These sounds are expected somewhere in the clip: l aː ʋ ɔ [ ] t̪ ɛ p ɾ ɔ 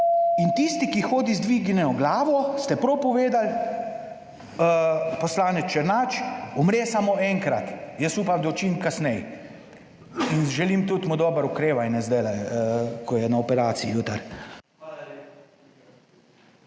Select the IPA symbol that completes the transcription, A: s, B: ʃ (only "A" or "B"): A